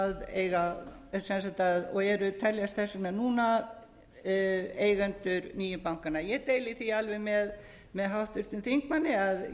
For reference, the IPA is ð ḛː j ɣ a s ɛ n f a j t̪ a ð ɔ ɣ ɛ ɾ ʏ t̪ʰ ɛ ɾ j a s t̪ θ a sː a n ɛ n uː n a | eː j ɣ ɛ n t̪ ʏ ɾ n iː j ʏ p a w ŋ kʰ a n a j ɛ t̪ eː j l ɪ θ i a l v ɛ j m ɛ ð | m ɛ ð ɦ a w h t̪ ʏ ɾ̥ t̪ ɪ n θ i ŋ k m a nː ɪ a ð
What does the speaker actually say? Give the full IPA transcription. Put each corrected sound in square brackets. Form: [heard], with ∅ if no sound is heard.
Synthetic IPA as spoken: ð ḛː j ɣ a s ɛ n [s] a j t̪ a ð ɔ ɣ ɛ ɾ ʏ t̪ʰ ɛ [l] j a s t̪ θ [ɛ] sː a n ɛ n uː n a | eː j ɣ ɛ n t̪ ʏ ɾ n iː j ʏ p a w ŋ [k] a n a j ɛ t̪ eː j l ɪ θ i a l v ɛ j m ɛ ð | m ɛ ð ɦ a w h t̪ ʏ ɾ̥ t̪ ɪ n θ i ŋ k m a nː ɪ a ð